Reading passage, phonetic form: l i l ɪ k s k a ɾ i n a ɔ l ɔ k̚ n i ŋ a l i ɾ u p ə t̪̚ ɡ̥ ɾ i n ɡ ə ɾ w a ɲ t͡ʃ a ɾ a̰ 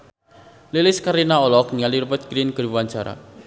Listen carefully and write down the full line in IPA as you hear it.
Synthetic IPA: l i l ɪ s k a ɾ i n a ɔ l ɔ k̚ n i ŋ a l i ɾ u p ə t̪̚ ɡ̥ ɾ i n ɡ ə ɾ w a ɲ t͡ʃ a ɾ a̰